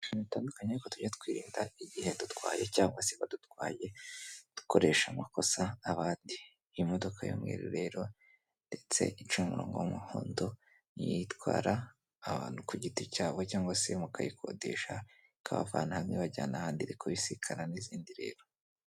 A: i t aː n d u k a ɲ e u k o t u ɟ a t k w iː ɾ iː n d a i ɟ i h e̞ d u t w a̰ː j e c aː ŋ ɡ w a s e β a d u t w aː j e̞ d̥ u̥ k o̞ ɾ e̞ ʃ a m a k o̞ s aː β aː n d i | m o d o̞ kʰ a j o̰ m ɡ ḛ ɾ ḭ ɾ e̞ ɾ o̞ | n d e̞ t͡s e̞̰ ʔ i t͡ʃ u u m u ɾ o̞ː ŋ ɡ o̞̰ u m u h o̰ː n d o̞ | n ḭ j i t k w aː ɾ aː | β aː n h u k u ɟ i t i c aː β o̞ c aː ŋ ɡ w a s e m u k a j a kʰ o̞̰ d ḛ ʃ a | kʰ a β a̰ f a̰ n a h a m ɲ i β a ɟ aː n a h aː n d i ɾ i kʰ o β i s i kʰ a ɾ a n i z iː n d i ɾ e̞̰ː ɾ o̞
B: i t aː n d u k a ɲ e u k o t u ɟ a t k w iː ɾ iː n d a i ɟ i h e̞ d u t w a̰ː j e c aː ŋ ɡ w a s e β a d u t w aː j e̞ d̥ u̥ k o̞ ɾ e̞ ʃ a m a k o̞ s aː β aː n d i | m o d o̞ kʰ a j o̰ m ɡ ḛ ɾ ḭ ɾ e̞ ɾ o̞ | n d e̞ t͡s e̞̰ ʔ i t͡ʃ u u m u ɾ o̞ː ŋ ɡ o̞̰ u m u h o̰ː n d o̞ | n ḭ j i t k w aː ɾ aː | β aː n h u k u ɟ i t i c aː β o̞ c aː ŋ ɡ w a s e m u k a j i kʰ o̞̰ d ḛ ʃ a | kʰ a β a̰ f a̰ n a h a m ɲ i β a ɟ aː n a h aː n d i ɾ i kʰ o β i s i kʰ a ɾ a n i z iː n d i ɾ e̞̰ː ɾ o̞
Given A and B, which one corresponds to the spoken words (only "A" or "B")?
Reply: B